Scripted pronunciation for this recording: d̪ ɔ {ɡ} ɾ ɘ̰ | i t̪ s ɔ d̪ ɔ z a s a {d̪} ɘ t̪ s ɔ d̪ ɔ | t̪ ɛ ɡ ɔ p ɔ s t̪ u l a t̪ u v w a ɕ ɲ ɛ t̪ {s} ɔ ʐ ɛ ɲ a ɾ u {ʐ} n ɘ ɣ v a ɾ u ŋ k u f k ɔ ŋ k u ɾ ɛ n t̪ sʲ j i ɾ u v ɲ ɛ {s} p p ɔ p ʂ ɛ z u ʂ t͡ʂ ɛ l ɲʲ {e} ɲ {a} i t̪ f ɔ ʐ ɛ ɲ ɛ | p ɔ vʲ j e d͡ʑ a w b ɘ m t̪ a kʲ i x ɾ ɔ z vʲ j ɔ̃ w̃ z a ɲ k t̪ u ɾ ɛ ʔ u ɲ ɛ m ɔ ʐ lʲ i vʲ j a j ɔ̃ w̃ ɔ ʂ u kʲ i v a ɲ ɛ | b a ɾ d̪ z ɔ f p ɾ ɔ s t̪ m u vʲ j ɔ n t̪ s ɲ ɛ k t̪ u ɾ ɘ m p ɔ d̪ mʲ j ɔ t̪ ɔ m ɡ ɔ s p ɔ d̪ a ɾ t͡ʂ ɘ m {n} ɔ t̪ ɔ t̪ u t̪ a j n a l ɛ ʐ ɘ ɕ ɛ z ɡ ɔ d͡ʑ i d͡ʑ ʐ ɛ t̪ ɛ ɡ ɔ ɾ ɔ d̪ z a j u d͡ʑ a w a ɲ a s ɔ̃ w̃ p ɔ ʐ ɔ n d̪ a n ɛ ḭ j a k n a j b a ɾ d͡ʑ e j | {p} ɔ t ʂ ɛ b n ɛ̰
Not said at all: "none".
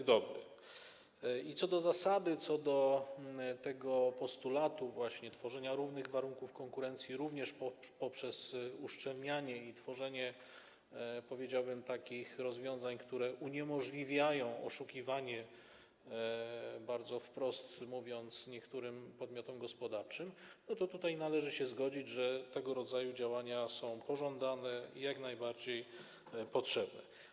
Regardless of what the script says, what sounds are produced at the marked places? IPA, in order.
b, d̪, f, v, ʂ, a, ɛ, n, p

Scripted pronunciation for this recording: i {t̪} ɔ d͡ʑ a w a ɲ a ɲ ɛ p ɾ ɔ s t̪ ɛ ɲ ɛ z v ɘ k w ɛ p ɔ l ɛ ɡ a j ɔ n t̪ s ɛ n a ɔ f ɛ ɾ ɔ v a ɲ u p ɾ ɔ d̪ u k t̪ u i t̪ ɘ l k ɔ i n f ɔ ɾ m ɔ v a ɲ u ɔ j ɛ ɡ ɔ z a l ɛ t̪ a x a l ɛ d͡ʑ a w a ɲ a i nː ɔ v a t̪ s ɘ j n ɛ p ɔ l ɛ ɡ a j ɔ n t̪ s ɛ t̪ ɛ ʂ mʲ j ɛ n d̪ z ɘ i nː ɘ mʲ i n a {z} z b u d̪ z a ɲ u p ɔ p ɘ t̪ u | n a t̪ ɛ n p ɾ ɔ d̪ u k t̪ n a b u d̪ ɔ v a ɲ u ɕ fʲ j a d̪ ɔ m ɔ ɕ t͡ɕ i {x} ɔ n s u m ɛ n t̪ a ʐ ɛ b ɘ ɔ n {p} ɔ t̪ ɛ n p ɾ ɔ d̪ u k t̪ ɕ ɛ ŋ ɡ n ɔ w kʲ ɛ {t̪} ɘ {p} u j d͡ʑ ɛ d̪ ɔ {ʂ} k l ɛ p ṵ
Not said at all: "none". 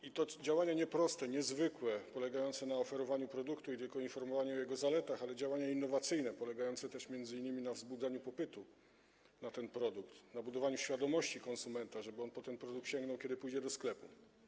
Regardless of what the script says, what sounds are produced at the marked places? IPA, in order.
t̪, v, k, p, d̪, p, s

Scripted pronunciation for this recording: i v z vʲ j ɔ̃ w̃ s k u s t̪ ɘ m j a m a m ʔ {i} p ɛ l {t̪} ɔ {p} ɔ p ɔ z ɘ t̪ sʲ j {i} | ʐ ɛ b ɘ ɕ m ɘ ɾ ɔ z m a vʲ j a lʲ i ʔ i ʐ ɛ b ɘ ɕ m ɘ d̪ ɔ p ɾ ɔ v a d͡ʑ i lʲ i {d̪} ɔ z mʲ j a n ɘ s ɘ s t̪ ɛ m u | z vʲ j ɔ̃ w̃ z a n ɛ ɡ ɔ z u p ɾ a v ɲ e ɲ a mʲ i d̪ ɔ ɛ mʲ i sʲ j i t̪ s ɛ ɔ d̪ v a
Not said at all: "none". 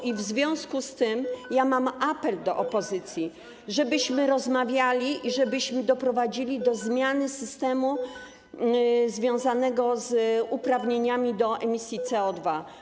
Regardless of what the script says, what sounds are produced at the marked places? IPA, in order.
a, d̪, ʔ, i, d̪

